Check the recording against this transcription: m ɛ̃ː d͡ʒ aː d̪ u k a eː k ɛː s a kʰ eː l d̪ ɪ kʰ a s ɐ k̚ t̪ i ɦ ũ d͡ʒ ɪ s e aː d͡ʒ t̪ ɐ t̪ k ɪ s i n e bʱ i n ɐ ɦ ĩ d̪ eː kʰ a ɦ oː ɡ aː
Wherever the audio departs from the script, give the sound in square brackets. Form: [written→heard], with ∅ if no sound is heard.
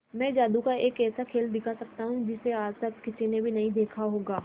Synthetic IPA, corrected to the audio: m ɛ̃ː d͡ʒ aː d̪ u k a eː k ɛː s a kʰ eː l d̪ ɪ kʰ a s ɐ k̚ t̪ [i→a] ɦ ũ d͡ʒ ɪ s e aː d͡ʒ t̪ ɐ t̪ k ɪ s i n e bʱ i n ɐ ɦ ĩ d̪ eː kʰ a ɦ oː ɡ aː